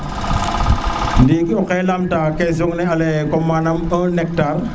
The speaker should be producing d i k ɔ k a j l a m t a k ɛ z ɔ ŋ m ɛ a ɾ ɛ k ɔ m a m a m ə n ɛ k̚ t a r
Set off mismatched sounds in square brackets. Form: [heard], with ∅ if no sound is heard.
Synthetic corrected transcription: d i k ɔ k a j l a m t a k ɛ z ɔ ŋ [n] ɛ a [l] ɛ k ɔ m a [n] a m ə n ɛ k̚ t a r